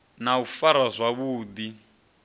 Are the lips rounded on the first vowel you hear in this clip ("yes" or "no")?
no